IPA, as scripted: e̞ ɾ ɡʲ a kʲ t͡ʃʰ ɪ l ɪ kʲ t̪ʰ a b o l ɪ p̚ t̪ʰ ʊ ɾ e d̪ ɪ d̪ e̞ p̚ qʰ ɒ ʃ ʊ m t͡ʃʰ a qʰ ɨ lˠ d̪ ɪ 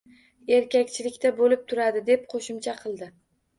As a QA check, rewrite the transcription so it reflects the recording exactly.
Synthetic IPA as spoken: e̞ ɾ kʲ a kʲ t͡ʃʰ ɪ l ɪ kʲ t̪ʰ a b o l ɪ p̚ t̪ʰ ʊ ɾ a d̪ ɪ d̪ e̞ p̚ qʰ o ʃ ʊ m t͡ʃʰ a qʰ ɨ lˠ d̪ ɪ